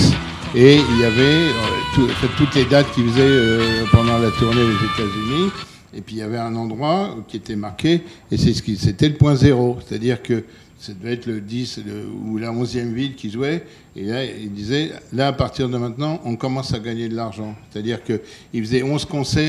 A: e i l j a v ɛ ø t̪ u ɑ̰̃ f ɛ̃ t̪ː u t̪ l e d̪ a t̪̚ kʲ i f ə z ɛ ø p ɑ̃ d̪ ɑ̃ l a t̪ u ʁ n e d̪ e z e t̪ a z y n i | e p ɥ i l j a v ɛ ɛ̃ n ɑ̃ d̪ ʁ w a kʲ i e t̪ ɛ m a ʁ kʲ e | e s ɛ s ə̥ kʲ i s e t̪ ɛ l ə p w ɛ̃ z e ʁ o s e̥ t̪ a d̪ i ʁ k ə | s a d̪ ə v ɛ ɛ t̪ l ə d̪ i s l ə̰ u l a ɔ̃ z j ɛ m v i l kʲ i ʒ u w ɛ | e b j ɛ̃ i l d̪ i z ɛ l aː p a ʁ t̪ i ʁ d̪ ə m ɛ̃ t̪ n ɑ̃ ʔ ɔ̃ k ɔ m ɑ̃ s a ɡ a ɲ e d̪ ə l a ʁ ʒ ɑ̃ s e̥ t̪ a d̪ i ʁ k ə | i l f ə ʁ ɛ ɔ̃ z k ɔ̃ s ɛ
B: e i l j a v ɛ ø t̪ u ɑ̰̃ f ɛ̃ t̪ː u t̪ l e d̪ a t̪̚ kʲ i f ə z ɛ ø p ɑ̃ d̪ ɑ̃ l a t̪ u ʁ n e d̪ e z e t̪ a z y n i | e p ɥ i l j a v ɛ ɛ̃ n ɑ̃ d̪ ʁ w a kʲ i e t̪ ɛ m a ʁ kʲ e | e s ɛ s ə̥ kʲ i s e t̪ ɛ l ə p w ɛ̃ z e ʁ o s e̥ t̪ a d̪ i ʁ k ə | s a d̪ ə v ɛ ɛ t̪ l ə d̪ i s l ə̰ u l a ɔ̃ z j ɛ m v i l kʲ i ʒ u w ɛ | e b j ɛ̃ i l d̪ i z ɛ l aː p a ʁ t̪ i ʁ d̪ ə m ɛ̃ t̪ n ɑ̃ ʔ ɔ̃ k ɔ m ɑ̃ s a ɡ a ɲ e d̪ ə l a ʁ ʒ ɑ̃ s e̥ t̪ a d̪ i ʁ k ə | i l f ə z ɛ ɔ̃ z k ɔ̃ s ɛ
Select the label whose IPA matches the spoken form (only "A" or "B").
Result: B